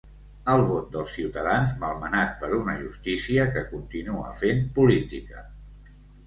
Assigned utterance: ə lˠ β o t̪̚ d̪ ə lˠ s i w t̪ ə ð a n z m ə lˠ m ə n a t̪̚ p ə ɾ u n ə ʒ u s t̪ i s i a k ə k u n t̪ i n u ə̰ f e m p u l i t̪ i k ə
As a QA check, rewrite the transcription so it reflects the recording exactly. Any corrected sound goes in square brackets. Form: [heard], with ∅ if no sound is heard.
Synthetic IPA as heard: ə lˠ β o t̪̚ d̪ ə lˠ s i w t̪ ə ð a n z m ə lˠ m ə n a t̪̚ p ə ɾ u n ə ʒ u s t̪ i s i [ə] k ə k u n t̪ i n u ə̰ f e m p u l i t̪ i k ə